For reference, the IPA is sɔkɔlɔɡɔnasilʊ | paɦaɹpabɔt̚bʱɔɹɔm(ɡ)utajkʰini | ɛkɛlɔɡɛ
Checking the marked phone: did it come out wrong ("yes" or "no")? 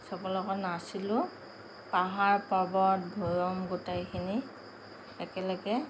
no